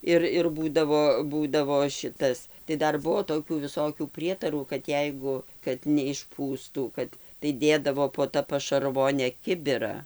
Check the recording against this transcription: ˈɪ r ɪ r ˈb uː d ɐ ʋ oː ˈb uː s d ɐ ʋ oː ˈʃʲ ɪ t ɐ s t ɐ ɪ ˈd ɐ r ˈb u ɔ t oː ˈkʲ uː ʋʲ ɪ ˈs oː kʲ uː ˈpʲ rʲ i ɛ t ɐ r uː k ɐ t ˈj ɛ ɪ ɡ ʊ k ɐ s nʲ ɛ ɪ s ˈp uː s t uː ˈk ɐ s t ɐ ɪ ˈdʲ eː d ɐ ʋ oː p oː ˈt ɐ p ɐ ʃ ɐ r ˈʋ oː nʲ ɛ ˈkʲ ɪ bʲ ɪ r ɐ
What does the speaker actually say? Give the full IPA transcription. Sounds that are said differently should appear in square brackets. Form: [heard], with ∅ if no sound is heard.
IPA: ˈɪ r ɪ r ˈb uː d ɐ ʋ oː ˈb uː [∅] d ɐ ʋ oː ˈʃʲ ɪ t ɐ s t ɐ ɪ ˈd ɐ r ˈb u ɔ t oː ˈkʲ uː ʋʲ ɪ ˈs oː kʲ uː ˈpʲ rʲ i ɛ t ɐ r uː k ɐ t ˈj ɛ ɪ ɡ ʊ k ɐ [t] nʲ ɛ ɪ [ʃ] ˈp uː s t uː ˈk ɐ [t] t ɐ ɪ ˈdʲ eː d ɐ ʋ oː p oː ˈt ɐ p ɐ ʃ ɐ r ˈʋ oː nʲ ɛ ˈkʲ ɪ bʲ ɪ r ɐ